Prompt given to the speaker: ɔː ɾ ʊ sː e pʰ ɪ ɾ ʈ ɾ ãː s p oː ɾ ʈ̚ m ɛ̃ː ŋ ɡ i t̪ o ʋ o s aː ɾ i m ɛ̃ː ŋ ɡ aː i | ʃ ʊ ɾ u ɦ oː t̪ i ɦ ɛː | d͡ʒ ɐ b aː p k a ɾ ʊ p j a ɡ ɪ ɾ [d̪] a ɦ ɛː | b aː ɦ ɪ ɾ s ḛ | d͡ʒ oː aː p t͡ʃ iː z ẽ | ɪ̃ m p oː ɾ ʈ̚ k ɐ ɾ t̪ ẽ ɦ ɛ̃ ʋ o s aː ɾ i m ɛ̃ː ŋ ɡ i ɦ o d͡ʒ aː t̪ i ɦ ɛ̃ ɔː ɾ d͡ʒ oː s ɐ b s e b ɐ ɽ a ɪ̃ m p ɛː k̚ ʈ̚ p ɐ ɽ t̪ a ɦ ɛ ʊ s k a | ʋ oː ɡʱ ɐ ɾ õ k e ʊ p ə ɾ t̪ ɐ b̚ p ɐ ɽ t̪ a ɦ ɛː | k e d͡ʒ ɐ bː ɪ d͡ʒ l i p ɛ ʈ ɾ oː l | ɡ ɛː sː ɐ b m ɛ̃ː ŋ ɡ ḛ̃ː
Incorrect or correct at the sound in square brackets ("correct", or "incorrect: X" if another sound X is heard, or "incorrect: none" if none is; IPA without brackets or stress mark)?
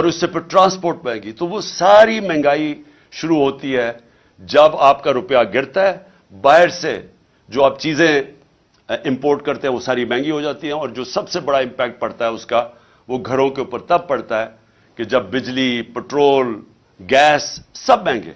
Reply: incorrect: t̪